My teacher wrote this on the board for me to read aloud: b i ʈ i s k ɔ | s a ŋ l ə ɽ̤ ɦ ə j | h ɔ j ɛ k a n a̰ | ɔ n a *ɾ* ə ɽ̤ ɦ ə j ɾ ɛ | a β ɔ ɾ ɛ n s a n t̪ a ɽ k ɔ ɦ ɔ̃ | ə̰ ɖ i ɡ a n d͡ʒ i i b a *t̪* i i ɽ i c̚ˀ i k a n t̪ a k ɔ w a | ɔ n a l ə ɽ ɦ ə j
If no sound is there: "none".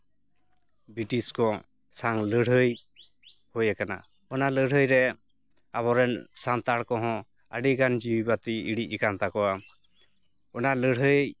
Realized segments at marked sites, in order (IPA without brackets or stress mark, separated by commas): l, t̪